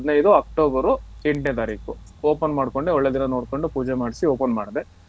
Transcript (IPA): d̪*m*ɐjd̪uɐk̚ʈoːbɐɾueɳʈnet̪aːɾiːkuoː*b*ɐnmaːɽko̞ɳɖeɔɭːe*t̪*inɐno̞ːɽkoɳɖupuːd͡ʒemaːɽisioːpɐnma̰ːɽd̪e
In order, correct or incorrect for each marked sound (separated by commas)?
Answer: incorrect, incorrect, incorrect